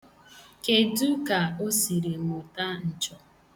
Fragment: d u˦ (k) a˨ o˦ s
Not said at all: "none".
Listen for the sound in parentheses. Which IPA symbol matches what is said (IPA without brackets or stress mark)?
k